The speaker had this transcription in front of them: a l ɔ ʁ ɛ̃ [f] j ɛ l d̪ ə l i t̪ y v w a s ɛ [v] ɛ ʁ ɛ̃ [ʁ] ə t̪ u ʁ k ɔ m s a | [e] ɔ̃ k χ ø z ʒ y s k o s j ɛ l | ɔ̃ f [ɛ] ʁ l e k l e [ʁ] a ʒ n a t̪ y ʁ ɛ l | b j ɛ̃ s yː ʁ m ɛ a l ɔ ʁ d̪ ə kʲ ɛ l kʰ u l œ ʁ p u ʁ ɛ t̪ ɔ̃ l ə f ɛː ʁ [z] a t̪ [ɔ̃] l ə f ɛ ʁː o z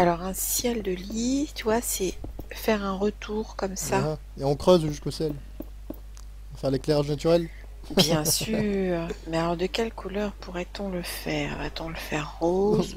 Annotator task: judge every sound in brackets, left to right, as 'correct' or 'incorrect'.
incorrect, incorrect, correct, correct, correct, correct, incorrect, correct

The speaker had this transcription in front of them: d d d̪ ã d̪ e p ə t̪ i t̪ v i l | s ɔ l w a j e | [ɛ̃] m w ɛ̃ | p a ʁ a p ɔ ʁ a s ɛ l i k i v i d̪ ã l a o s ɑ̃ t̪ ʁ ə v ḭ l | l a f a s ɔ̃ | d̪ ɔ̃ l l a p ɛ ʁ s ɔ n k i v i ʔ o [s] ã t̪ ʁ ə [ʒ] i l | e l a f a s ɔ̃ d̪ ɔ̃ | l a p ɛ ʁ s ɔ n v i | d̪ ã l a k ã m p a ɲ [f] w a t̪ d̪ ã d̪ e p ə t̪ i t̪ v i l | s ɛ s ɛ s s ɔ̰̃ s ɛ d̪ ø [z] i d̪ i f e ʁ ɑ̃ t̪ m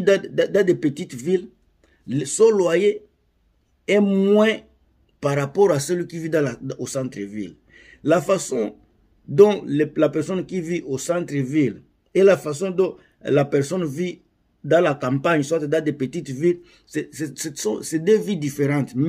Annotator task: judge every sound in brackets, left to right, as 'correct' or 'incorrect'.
incorrect, correct, incorrect, incorrect, incorrect

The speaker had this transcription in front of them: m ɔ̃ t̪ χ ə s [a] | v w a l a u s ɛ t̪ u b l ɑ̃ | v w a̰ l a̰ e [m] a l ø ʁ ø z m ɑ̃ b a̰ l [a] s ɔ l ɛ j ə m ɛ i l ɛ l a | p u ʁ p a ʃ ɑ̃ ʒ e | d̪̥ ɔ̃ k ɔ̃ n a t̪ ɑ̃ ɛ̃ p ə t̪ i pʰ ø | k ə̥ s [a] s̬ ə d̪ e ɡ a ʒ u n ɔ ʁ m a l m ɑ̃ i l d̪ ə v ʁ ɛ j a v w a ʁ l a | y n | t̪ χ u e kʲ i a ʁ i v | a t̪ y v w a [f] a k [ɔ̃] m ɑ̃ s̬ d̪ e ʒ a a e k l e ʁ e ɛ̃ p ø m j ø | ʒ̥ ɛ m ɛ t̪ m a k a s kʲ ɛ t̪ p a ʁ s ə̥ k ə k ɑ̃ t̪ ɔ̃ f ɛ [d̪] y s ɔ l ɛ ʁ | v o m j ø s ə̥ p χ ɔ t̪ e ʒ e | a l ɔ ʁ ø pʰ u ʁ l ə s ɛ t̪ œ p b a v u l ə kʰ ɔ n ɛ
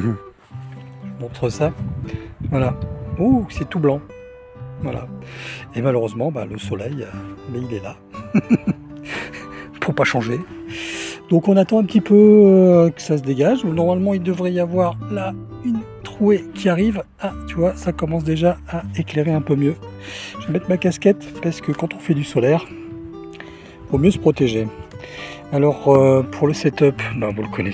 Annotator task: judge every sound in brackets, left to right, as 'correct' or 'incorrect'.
correct, correct, incorrect, correct, incorrect, incorrect, correct

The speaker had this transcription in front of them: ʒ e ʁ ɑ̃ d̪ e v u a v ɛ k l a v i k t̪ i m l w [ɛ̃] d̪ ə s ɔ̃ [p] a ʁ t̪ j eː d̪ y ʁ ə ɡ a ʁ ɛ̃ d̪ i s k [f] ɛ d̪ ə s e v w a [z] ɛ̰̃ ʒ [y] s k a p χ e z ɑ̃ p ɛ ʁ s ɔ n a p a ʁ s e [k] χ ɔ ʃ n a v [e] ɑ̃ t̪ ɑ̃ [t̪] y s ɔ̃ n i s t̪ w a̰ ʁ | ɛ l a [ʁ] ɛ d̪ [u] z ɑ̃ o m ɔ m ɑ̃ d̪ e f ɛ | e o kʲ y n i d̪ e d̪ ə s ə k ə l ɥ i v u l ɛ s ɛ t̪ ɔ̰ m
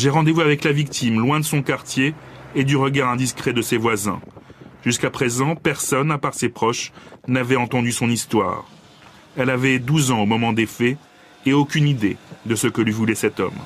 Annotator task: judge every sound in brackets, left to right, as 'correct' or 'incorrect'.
correct, incorrect, incorrect, correct, correct, incorrect, incorrect, incorrect, incorrect, correct

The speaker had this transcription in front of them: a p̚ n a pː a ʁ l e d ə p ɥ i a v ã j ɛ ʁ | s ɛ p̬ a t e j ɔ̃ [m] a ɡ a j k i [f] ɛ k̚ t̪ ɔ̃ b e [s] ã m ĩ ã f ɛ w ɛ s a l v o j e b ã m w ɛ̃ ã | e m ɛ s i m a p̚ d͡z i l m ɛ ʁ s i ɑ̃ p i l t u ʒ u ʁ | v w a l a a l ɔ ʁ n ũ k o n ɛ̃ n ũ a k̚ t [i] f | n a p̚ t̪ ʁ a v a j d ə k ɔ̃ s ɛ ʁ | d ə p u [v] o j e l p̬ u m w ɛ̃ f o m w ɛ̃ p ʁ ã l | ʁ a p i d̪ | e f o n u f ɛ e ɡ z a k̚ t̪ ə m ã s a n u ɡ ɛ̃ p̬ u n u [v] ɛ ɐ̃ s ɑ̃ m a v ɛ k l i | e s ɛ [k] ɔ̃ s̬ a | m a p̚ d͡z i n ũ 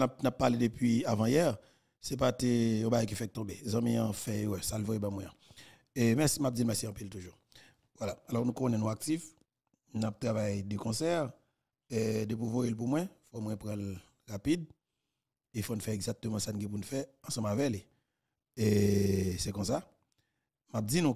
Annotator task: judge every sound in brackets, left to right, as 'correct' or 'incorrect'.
incorrect, correct, incorrect, correct, correct, incorrect, correct

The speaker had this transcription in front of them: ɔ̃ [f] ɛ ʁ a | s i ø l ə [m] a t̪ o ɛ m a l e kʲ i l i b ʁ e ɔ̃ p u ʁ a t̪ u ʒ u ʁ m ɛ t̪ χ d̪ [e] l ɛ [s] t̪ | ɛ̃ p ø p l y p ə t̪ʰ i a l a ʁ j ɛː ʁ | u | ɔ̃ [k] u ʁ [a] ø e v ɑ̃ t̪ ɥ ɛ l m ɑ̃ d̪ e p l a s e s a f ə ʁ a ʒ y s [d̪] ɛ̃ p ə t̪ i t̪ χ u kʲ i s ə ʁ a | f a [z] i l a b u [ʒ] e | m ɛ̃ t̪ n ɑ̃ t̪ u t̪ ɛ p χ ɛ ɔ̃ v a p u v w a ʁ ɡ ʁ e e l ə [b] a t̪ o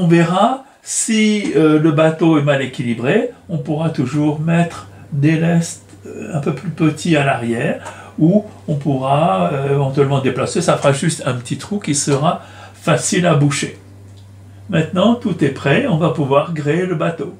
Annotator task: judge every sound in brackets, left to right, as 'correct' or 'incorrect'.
incorrect, incorrect, correct, correct, incorrect, correct, incorrect, incorrect, incorrect, correct

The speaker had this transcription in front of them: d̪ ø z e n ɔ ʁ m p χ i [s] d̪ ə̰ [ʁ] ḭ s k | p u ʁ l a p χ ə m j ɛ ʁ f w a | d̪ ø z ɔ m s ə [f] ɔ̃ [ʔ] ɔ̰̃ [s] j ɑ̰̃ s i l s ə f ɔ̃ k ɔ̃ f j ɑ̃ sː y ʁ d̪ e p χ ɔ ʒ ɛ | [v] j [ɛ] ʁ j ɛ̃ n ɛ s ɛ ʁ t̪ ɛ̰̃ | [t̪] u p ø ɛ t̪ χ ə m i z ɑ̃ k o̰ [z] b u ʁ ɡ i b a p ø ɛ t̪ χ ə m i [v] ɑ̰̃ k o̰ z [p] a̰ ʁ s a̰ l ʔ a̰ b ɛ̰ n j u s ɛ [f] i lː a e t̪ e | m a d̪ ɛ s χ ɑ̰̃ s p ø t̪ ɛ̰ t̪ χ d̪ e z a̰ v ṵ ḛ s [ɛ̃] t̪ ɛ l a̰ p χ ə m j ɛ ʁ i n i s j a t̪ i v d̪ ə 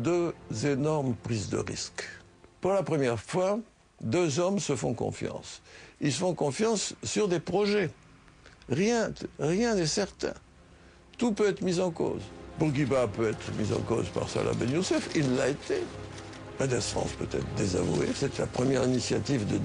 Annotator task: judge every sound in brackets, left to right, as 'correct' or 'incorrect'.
incorrect, correct, correct, incorrect, incorrect, incorrect, incorrect, correct, correct, incorrect, correct, correct, incorrect

